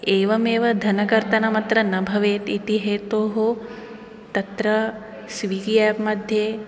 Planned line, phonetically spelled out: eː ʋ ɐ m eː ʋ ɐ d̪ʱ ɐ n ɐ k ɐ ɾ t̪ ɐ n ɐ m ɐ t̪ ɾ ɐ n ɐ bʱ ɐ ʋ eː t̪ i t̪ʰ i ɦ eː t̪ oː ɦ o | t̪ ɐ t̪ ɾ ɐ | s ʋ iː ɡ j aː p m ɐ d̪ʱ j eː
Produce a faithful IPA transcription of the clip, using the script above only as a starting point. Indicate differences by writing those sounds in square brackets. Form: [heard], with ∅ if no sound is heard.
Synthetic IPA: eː ʋ ɐ m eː ʋ ɐ d̪ʱ ɐ n ɐ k ɐ ɾ t̪ ɐ n ɐ m ɐ t̪ ɾ ɐ n ɐ bʱ ɐ ʋ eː t̪ i [t̪] i ɦ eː t̪ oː ɦ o | t̪ ɐ t̪ ɾ ɐ | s ʋ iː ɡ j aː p m ɐ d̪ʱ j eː